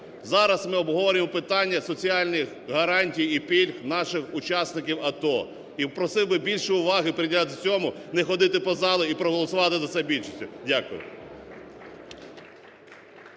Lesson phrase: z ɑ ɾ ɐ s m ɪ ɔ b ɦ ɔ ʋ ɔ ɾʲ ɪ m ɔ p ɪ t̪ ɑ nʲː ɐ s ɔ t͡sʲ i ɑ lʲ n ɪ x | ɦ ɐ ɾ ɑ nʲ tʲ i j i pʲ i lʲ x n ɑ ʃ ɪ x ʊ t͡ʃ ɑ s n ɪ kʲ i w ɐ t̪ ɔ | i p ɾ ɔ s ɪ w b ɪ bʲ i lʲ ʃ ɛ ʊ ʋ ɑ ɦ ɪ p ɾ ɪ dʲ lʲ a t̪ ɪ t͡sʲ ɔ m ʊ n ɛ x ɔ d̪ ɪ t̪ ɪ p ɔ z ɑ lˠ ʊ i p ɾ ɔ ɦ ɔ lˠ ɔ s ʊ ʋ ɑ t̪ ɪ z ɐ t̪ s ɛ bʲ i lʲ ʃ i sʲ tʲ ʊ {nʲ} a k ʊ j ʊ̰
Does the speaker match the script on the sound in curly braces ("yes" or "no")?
no